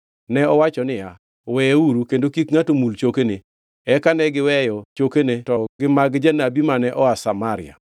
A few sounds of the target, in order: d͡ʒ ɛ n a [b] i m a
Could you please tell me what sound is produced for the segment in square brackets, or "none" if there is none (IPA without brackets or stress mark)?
b